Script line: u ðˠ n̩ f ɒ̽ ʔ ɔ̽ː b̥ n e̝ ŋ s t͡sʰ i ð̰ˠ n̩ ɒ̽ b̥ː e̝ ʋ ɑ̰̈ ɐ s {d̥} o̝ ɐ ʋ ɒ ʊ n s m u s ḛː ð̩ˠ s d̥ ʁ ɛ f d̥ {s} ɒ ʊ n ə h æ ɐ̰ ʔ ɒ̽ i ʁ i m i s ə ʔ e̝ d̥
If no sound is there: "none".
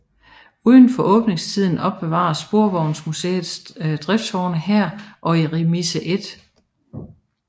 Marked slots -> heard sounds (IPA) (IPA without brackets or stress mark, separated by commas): b̥, s